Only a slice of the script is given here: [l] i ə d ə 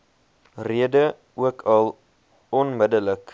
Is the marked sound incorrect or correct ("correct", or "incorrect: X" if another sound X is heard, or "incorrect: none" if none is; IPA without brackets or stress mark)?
incorrect: r